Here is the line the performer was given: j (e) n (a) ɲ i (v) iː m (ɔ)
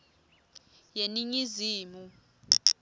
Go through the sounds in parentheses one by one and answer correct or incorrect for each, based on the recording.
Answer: correct, incorrect: i, incorrect: z, incorrect: u

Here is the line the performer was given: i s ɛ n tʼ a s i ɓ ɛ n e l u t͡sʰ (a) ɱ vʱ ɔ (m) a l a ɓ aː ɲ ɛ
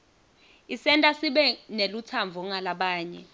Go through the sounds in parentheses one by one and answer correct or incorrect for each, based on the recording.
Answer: correct, incorrect: ŋ

